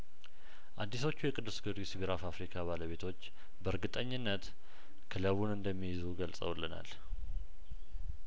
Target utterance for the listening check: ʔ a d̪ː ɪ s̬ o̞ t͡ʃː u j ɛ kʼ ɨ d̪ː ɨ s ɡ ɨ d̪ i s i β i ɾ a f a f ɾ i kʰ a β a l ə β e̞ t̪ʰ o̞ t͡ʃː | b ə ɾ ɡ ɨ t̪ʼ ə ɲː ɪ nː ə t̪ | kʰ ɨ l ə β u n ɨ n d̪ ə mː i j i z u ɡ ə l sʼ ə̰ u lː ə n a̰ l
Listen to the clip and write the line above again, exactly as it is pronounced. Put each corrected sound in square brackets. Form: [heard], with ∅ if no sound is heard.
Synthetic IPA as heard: ʔ a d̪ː [i] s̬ o̞ t͡ʃː u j ɛ kʼ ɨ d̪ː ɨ s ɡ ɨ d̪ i s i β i ɾ a f a f ɾ i kʰ a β a l ə β e̞ t̪ʰ o̞ t͡ʃː | b ə ɾ ɡ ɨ t̪ʼ ə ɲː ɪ nː ə t̪ | kʰ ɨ l ə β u n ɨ n d̪ ə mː i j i z u ɡ ə l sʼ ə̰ [w] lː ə n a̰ l